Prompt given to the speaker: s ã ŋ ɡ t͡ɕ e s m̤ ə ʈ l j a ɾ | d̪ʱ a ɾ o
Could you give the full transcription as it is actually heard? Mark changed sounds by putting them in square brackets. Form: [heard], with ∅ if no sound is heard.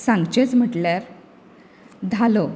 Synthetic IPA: s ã ŋ ɡ t͡ɕ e [t͡s] m̤ ə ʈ l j a ɾ | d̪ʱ a [l] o